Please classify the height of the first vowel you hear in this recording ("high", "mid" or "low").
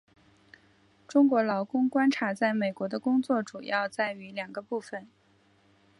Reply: high